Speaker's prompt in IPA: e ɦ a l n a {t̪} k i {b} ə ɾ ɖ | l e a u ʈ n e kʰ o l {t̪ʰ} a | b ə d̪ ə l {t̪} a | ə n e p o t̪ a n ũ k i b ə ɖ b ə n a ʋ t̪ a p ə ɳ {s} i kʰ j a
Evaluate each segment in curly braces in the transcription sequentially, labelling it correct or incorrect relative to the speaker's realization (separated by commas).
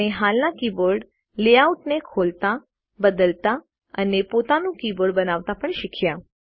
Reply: incorrect, correct, incorrect, correct, incorrect